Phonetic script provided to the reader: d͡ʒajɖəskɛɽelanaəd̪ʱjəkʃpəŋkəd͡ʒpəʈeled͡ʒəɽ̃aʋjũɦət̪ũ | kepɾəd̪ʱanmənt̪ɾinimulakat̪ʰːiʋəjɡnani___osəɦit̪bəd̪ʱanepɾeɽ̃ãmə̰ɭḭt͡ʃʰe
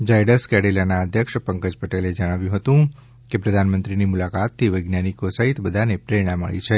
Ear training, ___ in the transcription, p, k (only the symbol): k